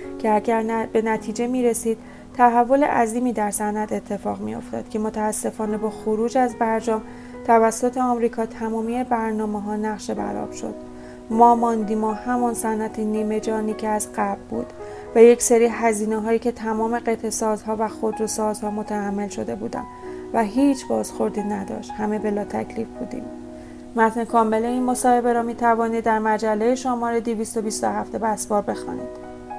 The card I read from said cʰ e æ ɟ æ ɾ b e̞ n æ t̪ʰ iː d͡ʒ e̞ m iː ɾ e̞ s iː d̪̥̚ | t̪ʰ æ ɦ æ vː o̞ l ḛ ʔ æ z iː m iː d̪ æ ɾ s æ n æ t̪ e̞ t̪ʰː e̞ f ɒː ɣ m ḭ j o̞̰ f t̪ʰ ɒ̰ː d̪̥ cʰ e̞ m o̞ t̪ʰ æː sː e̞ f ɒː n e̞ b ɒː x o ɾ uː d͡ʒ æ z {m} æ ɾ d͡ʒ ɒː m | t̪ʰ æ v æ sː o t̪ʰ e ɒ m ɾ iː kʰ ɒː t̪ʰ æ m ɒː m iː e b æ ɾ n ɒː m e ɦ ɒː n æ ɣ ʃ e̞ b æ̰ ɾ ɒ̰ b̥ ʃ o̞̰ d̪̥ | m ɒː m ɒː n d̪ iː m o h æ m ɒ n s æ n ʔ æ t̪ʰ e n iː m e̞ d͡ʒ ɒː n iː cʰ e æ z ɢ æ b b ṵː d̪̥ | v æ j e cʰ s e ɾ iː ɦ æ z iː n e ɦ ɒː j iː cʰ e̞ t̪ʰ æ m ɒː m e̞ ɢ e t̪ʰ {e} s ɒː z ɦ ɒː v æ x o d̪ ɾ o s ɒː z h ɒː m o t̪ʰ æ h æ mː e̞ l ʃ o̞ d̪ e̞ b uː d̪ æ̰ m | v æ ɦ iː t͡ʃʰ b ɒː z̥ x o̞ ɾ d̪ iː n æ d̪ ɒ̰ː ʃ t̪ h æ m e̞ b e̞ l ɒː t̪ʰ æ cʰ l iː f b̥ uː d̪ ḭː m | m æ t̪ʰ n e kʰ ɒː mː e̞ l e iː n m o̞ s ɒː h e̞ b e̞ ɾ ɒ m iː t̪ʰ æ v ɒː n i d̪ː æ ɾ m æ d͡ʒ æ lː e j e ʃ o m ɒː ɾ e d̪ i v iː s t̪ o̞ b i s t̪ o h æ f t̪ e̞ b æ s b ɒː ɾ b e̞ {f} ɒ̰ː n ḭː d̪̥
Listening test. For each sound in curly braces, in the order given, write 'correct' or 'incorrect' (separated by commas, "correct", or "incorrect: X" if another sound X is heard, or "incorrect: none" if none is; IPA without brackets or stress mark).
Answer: incorrect: b, correct, incorrect: x